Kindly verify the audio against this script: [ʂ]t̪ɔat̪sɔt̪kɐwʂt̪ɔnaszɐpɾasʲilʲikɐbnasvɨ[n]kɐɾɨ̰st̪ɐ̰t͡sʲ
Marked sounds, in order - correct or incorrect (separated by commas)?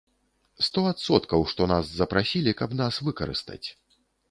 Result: incorrect, incorrect